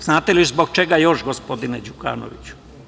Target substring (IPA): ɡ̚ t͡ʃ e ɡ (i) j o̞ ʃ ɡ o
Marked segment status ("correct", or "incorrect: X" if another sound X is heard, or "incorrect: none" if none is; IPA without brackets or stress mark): incorrect: a